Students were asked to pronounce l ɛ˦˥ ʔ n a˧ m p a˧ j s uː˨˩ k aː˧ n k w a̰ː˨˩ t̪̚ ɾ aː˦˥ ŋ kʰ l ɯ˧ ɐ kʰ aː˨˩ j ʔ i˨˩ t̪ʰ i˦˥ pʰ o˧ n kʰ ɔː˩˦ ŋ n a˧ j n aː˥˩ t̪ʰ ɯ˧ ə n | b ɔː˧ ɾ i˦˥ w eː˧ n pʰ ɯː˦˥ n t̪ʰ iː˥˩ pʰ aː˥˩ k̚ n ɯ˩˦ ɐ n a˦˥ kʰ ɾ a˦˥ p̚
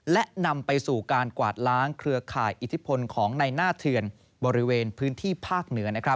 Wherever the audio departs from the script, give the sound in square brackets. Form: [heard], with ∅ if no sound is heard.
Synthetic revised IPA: l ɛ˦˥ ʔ n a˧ m p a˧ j s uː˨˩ k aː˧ n k w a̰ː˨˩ t̪̚ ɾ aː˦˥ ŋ kʰ [ɾ] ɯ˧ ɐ kʰ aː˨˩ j ʔ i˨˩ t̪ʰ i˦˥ pʰ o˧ n kʰ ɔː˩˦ ŋ n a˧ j n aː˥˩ t̪ʰ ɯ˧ ə n | b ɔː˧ ɾ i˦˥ w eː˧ n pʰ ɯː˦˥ n t̪ʰ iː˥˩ pʰ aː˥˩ k̚ n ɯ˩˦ ɐ n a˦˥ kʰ ɾ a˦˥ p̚